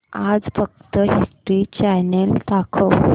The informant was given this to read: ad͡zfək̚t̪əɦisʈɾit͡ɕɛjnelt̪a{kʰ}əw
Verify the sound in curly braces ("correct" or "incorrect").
correct